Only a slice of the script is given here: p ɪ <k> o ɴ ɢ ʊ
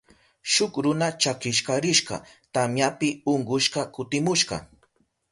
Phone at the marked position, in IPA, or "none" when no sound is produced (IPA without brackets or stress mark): none